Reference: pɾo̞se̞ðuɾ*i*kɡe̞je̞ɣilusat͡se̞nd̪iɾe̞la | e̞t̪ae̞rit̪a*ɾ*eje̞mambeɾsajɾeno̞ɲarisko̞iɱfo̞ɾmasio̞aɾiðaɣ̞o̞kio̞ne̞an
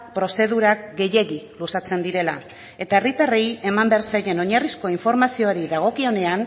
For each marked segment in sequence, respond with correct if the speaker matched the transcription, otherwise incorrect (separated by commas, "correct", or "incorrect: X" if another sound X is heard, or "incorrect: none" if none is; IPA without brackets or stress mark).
incorrect: a, incorrect: r